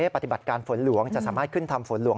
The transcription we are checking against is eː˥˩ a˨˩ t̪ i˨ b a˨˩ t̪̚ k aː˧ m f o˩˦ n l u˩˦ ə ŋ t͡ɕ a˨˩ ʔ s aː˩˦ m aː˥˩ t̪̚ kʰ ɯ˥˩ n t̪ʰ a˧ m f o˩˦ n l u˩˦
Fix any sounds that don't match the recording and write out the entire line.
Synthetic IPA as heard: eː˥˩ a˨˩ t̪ i˨ b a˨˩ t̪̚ k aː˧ n f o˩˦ n l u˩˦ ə ŋ t͡ɕ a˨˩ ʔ s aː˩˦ m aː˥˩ t̪̚ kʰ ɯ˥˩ n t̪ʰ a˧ m f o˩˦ n l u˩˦